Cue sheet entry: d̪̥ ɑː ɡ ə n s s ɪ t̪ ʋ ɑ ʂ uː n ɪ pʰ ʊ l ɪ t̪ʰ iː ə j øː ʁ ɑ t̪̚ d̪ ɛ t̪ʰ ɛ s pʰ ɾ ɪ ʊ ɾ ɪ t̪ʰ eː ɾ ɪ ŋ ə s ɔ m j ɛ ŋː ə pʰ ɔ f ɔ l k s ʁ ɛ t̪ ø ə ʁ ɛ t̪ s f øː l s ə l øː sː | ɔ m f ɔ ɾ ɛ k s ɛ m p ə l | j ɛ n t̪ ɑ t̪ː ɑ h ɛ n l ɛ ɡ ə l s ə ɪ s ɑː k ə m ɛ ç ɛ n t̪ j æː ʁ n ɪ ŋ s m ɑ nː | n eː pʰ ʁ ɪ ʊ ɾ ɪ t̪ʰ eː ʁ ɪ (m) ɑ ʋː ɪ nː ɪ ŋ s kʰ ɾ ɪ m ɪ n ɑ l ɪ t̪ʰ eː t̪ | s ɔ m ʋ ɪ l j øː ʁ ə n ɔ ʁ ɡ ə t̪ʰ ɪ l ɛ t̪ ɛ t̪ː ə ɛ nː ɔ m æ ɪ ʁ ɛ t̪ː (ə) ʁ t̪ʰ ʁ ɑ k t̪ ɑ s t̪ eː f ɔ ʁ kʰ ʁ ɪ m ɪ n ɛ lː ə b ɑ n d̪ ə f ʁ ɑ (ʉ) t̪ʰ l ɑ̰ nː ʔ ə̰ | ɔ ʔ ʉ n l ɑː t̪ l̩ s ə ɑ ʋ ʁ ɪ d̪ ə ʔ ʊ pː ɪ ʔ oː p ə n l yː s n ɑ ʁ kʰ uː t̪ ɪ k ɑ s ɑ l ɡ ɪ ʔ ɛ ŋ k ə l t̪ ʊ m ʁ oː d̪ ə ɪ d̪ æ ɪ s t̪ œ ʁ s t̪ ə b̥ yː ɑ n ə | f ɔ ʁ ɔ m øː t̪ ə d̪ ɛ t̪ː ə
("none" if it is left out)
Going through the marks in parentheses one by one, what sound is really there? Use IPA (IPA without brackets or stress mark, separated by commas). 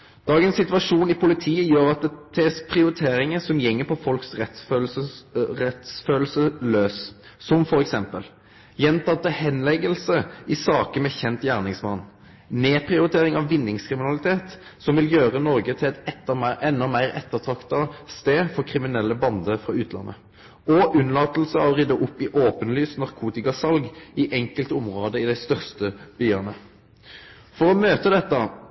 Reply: ŋ, ə, ʉː